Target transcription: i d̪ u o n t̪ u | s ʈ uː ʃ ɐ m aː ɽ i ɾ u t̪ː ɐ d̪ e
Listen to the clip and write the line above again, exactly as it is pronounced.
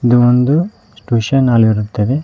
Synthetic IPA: i d̪ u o n d̪ u | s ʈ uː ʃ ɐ n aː l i ɾ u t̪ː ɐ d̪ e